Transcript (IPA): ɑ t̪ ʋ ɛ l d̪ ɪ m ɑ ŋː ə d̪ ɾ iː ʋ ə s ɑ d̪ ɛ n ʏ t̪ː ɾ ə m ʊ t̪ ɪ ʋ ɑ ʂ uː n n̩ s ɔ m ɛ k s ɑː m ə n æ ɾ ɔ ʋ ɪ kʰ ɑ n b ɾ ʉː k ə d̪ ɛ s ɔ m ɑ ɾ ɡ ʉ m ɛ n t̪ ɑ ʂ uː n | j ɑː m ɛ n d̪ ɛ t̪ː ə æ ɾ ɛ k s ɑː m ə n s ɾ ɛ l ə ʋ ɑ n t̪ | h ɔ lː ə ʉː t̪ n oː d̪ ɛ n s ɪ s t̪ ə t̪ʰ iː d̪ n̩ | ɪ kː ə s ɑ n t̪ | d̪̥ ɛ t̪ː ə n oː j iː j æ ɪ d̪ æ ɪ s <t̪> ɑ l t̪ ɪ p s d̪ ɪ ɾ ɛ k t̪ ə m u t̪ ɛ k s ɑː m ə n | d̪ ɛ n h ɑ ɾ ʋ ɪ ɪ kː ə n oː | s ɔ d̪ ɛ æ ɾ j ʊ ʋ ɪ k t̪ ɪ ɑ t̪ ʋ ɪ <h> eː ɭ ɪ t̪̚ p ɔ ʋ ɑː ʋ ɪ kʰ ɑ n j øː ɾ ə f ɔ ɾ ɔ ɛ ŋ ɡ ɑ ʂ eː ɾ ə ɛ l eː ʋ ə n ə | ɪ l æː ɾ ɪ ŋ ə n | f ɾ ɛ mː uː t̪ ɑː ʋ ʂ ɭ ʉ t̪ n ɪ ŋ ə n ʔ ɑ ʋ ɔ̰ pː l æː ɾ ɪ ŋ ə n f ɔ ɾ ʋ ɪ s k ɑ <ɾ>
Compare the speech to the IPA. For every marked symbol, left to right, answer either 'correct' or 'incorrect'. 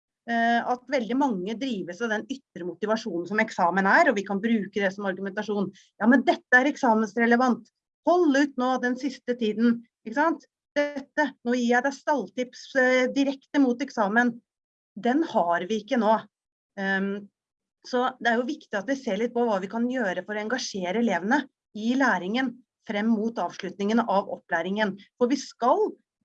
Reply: correct, incorrect: s, incorrect: l

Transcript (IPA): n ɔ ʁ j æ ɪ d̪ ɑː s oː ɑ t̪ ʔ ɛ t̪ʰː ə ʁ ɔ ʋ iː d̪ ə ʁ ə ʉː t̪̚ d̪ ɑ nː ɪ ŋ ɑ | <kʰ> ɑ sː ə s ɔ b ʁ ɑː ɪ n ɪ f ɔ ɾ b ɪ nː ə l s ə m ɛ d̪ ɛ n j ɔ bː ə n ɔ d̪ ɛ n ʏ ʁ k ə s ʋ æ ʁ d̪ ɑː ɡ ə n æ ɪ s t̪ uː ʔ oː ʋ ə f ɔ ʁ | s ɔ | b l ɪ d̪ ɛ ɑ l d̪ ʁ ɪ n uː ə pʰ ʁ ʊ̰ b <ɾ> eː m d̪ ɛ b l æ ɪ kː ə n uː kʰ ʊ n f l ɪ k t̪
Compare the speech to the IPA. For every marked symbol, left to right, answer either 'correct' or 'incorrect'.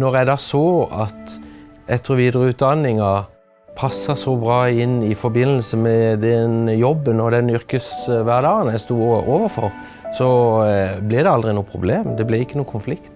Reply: incorrect: pʰ, incorrect: l

